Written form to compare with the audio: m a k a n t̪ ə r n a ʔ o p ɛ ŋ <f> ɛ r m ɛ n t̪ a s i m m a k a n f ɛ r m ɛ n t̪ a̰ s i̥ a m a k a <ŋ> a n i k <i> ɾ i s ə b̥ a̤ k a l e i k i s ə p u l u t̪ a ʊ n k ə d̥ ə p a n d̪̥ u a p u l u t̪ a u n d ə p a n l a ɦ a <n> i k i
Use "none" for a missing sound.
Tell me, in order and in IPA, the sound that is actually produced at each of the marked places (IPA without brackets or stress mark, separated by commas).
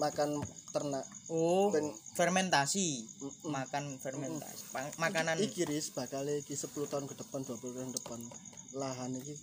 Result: f, n, i, n